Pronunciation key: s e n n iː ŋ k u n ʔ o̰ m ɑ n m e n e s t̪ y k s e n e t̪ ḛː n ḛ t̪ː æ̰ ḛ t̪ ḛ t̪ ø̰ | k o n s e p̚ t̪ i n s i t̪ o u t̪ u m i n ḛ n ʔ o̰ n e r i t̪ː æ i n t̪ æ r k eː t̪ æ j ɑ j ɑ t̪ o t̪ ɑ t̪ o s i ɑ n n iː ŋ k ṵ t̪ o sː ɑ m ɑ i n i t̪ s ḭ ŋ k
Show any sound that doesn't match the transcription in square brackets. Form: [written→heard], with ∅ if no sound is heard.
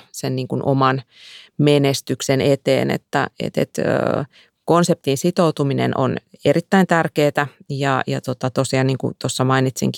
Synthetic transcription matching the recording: s e n n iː ŋ k u n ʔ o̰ m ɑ n m e n e s t̪ y k s e n e t̪ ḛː n ḛ t̪ː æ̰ ḛ t̪ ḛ t̪ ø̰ | k o n s e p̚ t̪ i n s i t̪ o u t̪ u m i n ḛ n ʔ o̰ n e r i t̪ː æ i n t̪ æ r k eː t̪ æ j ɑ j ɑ t̪ o t̪ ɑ t̪ o s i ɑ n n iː ŋ k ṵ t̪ o sː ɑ m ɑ i n i t̪ s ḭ ŋ k